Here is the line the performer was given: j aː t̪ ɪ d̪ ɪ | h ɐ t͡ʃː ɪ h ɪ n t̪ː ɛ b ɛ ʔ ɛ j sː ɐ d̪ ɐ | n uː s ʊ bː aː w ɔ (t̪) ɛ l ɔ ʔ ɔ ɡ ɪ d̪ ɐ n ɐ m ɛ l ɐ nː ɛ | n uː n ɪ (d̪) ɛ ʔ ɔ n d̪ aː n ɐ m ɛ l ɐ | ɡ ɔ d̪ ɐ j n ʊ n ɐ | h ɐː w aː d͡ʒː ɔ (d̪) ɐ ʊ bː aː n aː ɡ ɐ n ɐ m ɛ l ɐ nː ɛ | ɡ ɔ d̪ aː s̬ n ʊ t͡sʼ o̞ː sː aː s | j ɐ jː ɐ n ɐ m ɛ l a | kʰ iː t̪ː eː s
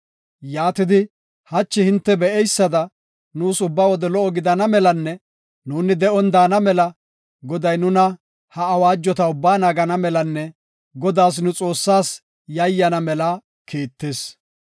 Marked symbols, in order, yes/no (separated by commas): no, yes, no